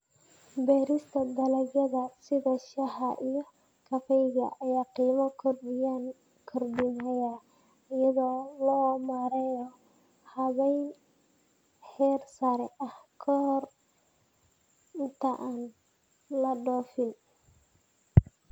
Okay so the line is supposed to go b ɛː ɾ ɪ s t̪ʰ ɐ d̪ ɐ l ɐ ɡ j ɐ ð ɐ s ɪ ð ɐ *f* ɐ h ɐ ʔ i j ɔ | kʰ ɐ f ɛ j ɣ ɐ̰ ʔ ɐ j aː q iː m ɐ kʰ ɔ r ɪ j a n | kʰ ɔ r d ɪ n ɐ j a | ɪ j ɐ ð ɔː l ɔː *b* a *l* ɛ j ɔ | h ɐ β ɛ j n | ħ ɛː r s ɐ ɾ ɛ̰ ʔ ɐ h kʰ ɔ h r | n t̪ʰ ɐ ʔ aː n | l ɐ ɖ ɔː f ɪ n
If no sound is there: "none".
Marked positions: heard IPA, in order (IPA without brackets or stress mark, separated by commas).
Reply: ʃ, m, ɾ